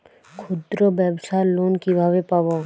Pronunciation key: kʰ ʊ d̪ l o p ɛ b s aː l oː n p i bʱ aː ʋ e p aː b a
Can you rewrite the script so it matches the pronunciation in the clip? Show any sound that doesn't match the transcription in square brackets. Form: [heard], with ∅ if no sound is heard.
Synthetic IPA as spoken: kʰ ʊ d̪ [ɾ] o [b] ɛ b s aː l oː n [k] i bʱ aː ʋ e p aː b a